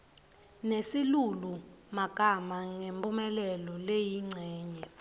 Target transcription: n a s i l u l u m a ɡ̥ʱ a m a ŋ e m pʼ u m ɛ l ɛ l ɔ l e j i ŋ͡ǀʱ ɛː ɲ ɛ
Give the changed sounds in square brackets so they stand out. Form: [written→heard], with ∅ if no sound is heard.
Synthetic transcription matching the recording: n [a→e] s i l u l u m a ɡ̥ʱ a m a ŋ e m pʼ u m ɛ l ɛ l ɔ l e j i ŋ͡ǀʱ ɛː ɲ ɛ